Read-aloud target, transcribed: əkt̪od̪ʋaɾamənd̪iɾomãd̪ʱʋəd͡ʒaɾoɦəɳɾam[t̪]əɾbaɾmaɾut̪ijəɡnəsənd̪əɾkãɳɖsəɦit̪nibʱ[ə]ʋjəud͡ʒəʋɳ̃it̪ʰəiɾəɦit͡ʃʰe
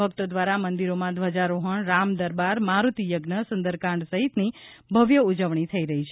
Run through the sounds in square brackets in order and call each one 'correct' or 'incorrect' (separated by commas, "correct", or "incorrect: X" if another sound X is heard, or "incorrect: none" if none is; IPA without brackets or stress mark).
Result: incorrect: d̪, correct